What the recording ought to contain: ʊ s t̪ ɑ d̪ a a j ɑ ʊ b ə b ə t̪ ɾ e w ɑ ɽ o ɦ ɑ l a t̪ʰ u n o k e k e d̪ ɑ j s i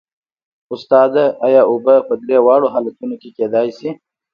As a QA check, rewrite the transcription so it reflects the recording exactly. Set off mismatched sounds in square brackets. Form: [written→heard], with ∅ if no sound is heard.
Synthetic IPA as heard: ʊ s t̪ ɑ d̪ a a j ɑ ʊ b ə [b→p] ə [t̪→d̪] ɾ e w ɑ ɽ o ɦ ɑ l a [t̪ʰ→t̪] u n o k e k e d̪ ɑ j s i